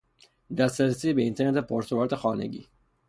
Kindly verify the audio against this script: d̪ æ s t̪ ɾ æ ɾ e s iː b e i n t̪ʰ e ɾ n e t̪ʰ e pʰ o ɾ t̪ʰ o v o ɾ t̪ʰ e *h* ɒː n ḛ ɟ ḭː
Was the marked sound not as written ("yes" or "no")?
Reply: yes